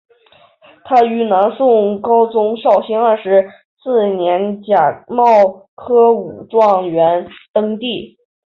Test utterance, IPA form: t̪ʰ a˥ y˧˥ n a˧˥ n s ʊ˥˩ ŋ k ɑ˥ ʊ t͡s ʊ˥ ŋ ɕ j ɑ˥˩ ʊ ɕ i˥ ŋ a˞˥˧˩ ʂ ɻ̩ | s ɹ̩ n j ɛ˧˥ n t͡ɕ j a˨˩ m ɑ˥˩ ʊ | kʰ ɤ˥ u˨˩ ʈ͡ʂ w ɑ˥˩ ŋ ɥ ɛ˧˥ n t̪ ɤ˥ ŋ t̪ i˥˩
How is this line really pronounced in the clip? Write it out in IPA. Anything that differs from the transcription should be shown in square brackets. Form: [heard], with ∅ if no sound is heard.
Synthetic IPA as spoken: t̪ʰ a˥ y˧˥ n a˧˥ n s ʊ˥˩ ŋ k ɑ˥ ʊ t͡s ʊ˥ ŋ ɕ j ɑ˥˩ ʊ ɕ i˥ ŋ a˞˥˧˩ ʂ ɻ̩ | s ɹ̩ n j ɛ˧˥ n t͡ɕ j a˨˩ m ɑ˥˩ ʊ | kʰ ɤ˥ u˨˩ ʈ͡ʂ w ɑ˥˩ ŋ ɥ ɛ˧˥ n t̪ ɤ˥ ŋ t̪ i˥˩